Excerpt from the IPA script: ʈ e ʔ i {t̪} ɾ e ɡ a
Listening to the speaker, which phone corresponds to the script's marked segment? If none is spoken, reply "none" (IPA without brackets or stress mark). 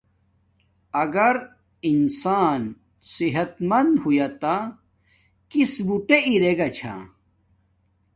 none